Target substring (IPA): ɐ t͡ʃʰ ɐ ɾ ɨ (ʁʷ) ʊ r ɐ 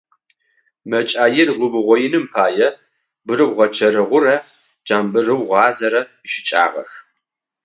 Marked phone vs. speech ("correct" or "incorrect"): correct